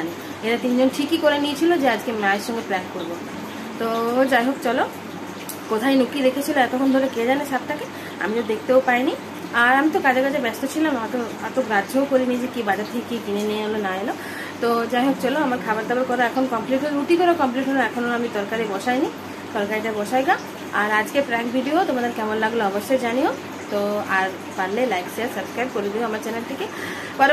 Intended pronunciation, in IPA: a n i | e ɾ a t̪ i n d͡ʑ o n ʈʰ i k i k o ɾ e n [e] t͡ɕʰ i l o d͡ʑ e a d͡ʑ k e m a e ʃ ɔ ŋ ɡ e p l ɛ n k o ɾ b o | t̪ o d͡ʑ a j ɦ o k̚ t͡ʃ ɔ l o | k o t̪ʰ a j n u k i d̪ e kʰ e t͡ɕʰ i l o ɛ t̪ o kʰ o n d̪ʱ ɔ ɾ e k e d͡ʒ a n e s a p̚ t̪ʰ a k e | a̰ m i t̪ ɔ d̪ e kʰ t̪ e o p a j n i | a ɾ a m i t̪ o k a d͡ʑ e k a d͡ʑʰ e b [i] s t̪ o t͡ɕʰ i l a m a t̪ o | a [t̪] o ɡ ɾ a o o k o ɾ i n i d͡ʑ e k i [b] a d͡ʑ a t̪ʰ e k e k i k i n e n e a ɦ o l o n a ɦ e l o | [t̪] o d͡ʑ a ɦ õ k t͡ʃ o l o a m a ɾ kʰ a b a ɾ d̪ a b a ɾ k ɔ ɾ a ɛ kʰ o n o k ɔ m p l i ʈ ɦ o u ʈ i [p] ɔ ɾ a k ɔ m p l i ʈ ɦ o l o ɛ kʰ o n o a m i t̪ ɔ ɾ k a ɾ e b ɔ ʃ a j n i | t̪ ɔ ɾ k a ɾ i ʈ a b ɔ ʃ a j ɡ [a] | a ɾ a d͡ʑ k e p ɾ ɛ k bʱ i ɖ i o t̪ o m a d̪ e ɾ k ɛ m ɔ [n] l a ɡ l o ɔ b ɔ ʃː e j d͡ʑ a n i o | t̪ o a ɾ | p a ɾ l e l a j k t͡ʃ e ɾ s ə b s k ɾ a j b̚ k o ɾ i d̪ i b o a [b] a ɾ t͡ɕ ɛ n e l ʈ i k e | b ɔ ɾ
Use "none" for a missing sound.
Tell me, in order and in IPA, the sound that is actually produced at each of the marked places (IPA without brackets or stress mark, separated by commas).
i, ɛ, t̪, b, t̪, k, a, n, m